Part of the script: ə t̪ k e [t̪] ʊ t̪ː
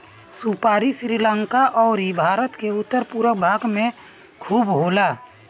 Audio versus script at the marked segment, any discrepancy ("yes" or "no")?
yes